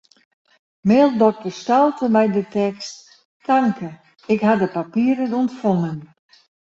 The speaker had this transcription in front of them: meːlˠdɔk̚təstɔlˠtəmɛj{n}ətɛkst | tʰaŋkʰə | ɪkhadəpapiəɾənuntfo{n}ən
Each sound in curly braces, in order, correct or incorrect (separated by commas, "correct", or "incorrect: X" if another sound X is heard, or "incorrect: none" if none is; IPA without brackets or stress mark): incorrect: d, incorrect: ŋ